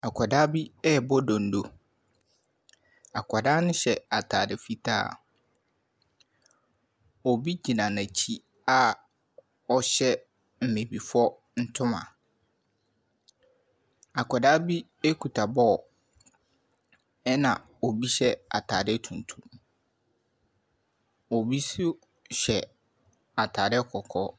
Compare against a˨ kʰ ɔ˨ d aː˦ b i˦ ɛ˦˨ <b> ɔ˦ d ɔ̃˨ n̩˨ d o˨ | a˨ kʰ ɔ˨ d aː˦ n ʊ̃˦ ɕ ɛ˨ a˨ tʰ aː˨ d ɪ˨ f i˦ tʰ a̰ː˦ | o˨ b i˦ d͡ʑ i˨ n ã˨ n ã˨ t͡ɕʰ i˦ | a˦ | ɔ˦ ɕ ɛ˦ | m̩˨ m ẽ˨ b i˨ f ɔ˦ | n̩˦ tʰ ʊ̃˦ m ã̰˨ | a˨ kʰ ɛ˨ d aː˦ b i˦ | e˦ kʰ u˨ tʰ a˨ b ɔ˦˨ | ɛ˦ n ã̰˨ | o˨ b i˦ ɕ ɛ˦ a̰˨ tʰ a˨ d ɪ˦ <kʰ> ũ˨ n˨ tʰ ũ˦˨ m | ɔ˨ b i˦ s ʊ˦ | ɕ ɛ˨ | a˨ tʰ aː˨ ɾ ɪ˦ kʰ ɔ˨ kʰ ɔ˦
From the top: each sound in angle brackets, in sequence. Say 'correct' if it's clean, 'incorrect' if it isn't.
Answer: correct, incorrect: tʰ

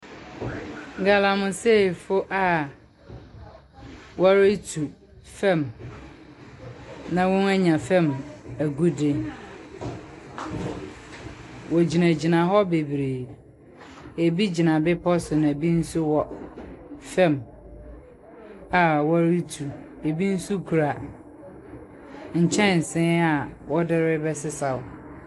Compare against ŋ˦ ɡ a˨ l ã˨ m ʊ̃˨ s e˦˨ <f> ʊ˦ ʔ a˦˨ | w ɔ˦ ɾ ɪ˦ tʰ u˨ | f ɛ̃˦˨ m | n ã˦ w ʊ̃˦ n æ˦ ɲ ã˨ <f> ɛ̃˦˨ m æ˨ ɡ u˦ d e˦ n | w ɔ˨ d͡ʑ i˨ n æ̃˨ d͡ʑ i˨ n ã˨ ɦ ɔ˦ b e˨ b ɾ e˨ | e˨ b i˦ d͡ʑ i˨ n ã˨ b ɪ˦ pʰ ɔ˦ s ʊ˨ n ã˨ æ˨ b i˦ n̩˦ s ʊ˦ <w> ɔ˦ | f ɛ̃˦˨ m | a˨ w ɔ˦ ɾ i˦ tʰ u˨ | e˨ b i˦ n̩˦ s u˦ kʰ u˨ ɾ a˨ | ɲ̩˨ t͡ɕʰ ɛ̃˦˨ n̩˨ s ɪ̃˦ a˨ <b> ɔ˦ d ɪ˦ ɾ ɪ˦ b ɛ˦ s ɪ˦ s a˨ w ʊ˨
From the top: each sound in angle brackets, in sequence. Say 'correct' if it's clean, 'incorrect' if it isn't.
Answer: correct, correct, correct, incorrect: w

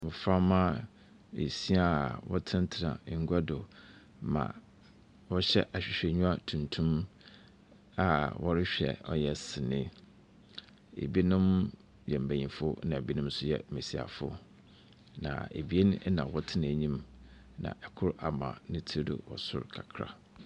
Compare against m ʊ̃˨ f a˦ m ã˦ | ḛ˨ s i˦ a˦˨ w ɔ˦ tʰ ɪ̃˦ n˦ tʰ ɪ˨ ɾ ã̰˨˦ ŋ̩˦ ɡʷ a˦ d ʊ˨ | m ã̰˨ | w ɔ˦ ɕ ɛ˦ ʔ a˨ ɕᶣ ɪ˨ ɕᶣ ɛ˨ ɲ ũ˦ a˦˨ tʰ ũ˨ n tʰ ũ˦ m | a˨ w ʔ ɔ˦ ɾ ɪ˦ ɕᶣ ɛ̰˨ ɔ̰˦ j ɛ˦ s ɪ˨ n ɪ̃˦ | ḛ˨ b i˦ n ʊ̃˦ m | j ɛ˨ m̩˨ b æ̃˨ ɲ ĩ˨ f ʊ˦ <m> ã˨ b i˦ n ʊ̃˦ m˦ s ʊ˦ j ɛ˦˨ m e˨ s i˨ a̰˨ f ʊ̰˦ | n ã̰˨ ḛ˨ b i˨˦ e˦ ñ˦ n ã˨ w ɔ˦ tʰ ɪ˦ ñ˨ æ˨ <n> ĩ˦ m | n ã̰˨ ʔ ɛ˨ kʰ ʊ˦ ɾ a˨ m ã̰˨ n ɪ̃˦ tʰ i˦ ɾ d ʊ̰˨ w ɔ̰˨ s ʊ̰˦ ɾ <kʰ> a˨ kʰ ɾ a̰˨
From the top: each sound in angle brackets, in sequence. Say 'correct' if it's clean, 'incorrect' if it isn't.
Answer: incorrect: n, incorrect: ɲ, correct

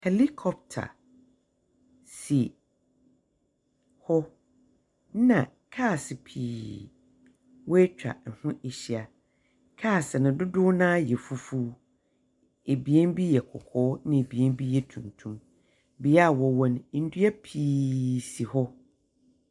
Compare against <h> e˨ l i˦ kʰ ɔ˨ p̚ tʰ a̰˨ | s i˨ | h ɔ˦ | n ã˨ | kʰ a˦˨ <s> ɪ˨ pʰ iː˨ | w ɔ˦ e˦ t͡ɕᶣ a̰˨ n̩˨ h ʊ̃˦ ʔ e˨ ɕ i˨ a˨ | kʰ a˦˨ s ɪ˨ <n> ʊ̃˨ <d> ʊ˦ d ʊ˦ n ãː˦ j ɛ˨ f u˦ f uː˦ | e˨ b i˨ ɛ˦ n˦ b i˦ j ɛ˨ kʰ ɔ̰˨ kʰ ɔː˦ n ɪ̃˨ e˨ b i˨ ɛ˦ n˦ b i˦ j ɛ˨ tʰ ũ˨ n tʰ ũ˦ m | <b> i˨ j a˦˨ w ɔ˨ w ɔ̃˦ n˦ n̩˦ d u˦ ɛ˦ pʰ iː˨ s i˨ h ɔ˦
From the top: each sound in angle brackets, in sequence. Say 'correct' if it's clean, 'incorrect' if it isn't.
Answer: correct, correct, correct, correct, correct

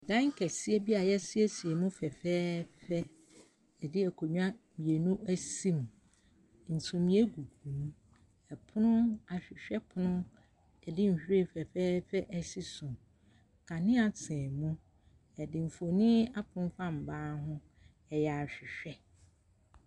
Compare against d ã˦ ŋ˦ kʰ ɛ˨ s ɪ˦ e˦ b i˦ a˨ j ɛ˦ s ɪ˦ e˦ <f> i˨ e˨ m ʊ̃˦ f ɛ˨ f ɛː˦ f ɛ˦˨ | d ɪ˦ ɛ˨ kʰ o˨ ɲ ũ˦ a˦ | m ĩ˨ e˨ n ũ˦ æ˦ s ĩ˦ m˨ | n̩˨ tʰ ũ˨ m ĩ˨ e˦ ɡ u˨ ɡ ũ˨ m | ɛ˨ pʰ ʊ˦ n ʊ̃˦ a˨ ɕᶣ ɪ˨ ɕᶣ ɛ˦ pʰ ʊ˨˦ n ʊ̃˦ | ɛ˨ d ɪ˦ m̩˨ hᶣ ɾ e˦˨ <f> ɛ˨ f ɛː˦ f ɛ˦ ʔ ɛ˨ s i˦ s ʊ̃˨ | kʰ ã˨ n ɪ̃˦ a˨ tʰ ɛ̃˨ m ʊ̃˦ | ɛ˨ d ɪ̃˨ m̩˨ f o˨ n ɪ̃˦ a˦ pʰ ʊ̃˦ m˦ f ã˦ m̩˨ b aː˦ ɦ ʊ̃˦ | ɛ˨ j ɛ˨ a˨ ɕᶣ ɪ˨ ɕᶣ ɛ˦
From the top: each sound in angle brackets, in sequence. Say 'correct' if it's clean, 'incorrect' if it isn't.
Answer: incorrect: s, correct

